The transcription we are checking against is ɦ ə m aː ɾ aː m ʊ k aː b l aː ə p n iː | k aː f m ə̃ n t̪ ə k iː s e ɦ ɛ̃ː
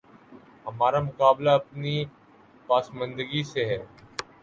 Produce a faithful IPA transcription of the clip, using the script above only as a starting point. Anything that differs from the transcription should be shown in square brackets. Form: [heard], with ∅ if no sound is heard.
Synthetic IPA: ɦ ə m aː ɾ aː m ʊ k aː b l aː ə p n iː | [p] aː [s] m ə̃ n [d̪] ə [ɡ] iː s e ɦ [ɛː]